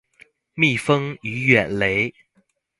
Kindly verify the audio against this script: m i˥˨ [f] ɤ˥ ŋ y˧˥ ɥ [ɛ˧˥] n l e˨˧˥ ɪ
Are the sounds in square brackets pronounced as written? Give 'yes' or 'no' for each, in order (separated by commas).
yes, no